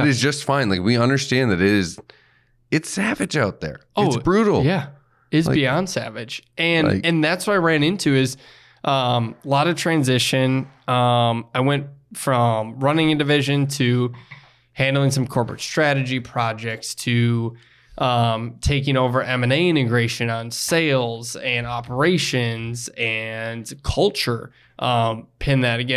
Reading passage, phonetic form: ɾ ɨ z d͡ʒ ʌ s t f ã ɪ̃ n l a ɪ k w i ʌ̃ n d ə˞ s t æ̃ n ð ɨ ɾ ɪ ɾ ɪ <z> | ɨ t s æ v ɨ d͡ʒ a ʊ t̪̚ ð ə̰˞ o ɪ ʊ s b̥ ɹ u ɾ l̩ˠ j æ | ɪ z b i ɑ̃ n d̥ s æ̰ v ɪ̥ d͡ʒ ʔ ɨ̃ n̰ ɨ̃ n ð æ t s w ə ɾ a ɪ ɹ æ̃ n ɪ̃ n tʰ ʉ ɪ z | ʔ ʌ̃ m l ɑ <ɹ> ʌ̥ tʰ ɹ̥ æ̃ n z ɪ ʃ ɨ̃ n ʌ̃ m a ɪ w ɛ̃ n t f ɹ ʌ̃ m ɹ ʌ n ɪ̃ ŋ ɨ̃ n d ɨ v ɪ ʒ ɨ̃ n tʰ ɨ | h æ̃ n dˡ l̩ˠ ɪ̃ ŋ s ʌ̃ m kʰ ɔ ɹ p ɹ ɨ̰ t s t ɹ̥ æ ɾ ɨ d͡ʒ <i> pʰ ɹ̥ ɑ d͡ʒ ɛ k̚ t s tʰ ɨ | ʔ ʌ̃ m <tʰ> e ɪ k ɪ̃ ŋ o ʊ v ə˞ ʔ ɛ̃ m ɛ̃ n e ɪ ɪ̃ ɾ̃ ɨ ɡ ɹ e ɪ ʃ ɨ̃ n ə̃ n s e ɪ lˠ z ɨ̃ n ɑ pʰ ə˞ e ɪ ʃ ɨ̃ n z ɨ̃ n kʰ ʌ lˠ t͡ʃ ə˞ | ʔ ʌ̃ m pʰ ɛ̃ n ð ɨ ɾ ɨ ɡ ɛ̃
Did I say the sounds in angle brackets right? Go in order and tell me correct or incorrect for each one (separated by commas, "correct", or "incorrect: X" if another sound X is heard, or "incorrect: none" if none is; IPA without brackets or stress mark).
correct, incorrect: ɾ, correct, correct